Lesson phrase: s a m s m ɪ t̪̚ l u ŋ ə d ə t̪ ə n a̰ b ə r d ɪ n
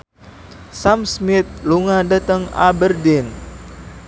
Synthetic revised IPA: s a m s m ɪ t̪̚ l u ŋ a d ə t̪ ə ŋ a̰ b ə r d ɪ n